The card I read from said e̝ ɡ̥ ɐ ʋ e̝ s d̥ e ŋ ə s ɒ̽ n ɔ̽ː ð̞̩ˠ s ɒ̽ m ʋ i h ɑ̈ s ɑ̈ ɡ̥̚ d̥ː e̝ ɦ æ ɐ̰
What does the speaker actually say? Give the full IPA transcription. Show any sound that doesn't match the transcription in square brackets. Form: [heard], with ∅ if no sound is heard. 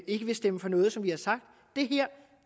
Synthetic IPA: e̝ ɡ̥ [ə] ʋ e̝ s d̥ e [m] ə [f] ɒ̽ n ɔ̽ː ð̞̩ˠ s ɒ̽ m ʋ i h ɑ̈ s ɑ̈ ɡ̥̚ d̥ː e̝ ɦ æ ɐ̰